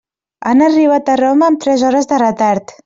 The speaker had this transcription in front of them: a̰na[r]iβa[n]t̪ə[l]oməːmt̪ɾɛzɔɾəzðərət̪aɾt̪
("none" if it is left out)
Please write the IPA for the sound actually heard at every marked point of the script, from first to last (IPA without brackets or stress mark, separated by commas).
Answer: r, none, r